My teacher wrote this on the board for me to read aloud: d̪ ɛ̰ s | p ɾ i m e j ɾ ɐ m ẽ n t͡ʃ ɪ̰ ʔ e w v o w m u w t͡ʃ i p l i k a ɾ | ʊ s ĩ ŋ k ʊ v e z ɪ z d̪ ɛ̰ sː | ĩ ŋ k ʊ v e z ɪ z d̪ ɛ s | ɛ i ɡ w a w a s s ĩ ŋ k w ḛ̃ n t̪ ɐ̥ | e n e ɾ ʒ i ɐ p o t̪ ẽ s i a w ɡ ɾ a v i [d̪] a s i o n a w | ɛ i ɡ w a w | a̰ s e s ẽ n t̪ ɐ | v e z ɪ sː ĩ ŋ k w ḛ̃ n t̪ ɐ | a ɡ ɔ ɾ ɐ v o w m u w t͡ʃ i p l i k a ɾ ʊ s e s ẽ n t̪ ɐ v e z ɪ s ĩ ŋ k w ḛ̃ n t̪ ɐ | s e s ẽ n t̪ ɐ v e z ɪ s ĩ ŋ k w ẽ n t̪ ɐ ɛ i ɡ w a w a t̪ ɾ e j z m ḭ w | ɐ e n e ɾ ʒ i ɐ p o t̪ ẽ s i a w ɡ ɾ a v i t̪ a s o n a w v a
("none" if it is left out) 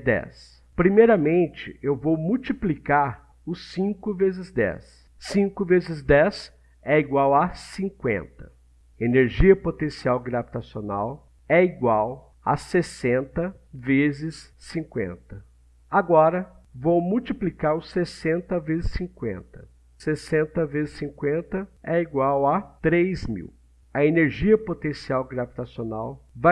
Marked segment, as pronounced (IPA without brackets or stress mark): t̪